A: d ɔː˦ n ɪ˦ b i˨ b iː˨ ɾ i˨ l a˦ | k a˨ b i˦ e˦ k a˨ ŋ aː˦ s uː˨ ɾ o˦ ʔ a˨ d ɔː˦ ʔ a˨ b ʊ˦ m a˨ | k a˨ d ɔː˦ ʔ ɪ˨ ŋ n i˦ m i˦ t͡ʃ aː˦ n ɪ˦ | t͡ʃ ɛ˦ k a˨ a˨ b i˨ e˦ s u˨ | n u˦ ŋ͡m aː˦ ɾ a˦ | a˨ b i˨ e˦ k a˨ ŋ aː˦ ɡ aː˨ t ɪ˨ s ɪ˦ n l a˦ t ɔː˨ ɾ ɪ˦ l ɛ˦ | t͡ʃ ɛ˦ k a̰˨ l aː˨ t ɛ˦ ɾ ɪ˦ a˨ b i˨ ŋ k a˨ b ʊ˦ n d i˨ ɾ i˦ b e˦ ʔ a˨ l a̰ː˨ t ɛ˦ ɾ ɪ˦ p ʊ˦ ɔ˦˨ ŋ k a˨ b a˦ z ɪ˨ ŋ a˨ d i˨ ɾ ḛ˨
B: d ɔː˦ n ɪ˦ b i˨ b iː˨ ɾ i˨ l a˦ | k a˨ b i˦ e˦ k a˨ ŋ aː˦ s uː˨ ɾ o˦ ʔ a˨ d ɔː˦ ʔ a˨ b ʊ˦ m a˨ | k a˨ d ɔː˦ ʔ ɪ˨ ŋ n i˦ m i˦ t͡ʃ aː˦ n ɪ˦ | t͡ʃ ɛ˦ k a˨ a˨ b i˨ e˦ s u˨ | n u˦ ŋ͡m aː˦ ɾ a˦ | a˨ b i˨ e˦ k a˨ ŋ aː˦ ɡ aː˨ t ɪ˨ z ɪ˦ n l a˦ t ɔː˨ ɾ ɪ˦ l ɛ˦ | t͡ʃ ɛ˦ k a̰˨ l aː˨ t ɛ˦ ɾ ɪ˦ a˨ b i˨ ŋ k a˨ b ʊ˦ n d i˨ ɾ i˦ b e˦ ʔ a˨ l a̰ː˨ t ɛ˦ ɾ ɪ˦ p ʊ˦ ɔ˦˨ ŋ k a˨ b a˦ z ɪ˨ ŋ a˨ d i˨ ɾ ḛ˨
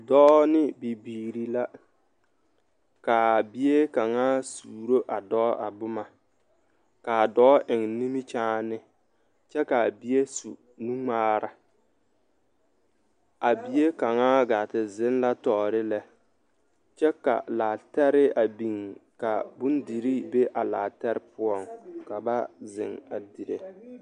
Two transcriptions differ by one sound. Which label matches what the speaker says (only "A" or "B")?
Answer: B